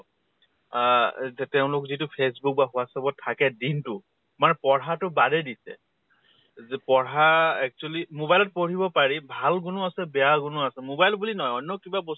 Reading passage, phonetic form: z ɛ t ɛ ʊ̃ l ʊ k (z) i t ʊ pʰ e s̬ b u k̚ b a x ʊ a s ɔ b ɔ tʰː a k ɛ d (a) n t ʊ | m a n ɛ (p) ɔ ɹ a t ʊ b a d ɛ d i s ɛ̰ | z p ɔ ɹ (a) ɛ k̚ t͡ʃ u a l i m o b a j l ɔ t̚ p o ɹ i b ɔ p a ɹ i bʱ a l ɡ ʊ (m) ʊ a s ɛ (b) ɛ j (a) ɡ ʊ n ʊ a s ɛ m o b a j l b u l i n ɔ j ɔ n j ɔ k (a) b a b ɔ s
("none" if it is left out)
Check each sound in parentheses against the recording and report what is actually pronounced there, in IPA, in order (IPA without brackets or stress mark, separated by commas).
z, i, p, a, n, b, a, i